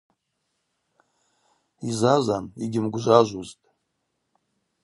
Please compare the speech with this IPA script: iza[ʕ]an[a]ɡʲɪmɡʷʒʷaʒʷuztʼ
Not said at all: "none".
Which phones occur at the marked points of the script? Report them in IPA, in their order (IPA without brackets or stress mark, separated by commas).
z, i